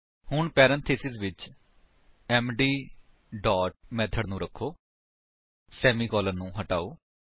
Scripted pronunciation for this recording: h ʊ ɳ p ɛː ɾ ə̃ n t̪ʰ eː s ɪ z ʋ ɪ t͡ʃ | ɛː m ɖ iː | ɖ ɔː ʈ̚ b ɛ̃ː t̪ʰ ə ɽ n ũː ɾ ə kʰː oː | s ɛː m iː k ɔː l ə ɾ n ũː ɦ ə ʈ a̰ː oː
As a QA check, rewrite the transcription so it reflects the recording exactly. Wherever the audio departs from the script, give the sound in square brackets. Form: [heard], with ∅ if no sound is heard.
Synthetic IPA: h ʊ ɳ p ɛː ɾ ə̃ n t̪ʰ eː s ɪ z ʋ ɪ t͡ʃ | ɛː m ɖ iː | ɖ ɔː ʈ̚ [m] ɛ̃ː t̪ʰ ə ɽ n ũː ɾ ə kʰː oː | s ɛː m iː k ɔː l ə ɾ n ũː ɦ ə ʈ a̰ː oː